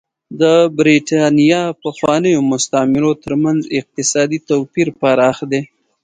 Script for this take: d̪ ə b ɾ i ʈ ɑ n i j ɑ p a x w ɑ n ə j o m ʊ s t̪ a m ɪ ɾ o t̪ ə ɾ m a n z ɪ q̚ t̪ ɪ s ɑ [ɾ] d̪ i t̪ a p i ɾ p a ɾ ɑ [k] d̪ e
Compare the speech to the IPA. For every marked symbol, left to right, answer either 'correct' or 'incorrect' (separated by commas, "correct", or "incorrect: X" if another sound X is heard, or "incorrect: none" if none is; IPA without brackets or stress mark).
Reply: incorrect: none, incorrect: x